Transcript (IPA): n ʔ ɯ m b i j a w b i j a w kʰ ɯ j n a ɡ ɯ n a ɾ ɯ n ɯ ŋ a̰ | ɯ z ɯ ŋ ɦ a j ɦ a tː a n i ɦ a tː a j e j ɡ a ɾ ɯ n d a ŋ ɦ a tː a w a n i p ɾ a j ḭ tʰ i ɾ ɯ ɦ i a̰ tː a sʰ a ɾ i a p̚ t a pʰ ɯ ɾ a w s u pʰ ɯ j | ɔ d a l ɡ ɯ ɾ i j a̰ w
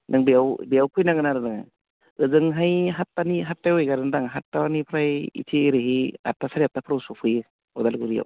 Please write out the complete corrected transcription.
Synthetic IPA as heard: n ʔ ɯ ŋ b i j a w b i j a w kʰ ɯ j n a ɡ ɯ n a ɾ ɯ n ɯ ŋ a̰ | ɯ z ɯ ŋ ɦ a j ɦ a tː a n i ɦ a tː a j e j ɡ a ɾ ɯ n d a ŋ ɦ a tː a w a n i pʰ ɾ a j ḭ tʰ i ɾ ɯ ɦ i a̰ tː a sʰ a ɾ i a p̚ t a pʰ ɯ ɾ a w s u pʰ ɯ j | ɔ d a l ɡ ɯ ɾ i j a̰ w

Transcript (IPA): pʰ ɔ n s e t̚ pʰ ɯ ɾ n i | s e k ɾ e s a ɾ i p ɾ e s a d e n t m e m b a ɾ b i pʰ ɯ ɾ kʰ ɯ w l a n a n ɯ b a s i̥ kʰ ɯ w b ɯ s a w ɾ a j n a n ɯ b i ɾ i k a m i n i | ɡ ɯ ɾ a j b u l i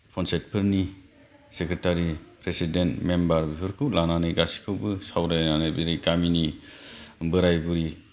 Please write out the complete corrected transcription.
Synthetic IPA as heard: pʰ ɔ n s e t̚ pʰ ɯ ɾ n i | s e k ɾ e t a ɾ i p ɾ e s i d e n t m e m b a ɾ b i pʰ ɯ ɾ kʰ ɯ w l a n a n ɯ ɡ a s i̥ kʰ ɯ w b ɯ s a w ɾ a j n a n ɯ b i ɾ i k a m i n i | b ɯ ɾ a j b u ɾ i

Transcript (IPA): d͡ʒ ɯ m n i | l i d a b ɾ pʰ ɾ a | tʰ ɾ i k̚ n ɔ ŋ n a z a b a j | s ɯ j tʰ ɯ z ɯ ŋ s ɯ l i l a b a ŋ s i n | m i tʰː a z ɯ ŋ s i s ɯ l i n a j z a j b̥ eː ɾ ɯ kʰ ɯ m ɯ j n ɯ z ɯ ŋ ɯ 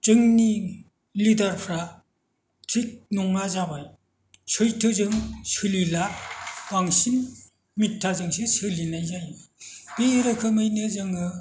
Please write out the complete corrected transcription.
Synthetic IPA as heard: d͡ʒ ɯ ŋ n i | l i d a ɾ pʰ ɾ a | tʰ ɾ i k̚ n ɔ ŋ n a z a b a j | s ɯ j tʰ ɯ z ɯ ŋ s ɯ l i l a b a ŋ s i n | m i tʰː a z ɯ ŋ s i s ɯ l i n a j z a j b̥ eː ɾ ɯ kʰ ɯ m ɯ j n ɯ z ɯ ŋ ɯ

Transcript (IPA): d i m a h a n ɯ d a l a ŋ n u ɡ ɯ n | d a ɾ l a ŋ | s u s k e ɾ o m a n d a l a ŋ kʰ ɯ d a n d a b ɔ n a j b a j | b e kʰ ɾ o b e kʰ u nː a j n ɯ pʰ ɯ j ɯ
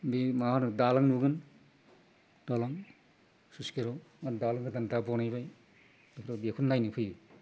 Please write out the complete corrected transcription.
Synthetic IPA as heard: b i m a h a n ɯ d a l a ŋ n u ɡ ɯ n | d a l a ŋ | s u s k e ɾ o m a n d a l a ŋ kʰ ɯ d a n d a b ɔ n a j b a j | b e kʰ ɾ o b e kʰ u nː a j n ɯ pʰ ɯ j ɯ

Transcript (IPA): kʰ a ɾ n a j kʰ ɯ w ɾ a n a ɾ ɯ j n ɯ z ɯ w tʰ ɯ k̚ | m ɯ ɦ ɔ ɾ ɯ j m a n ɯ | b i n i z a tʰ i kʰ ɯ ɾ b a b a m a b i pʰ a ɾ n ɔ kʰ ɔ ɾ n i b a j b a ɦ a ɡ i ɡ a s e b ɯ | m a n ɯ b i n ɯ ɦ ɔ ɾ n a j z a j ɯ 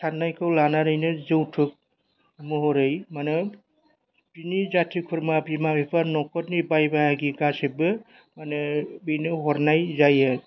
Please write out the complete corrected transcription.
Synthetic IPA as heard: tʰ a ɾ n a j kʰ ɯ w l a n a ɾ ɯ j n ɯ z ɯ w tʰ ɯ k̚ | m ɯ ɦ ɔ ɾ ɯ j m a n ɯ | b i n i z a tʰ i kʰ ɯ ɾ m a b i m a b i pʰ a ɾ n ɔ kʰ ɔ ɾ n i b a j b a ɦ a ɡ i ɡ a s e b ɯ | m a n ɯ b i n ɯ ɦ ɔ ɾ n a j z a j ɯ

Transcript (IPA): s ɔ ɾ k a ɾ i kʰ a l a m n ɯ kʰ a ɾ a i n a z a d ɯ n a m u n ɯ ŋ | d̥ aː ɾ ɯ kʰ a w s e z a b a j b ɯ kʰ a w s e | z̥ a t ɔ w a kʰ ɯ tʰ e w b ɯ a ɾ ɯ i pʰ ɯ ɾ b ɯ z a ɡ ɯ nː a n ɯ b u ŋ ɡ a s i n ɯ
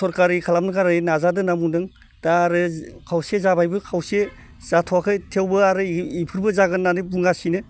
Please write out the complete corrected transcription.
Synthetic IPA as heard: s ɔ ɾ k a ɾ i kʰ a l a m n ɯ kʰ a ɾ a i n a z a d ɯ n a m u n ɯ ŋ | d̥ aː ɾ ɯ kʰ a w s e z a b a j b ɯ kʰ a w s e | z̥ a tʰ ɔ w a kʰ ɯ tʰ e w b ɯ a ɾ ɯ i pʰ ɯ ɾ b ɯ z a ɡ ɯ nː a n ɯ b u ŋ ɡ a s i n ɯ

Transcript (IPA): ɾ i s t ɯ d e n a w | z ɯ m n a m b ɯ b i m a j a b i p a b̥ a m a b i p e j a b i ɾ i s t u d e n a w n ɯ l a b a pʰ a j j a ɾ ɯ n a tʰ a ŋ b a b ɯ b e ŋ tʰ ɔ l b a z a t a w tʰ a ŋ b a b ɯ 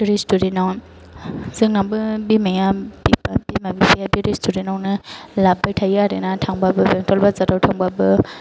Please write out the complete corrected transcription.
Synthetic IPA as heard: ɾ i s t u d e n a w | z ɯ ŋ n a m b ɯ b i m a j a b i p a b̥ i m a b i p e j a b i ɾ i s t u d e n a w n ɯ l a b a tʰ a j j a ɾ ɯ n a tʰ a ŋ b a b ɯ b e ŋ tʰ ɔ l b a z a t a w tʰ a ŋ b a b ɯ

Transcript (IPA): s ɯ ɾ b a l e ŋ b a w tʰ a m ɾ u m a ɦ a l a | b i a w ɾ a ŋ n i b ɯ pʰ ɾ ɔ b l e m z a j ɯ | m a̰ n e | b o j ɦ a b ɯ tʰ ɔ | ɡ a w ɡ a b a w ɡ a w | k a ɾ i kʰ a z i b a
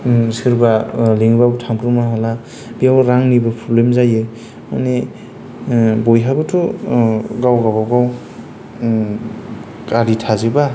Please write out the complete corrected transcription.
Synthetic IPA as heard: s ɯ ɾ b a l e ŋ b a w tʰ a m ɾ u m a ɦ a l a | b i a w ɾ a ŋ n i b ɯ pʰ ɾ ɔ b l e m z a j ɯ | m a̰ n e | b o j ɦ a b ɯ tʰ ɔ | ɡ a w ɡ a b a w ɡ a w | k a ɾ i tʰ a z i b a

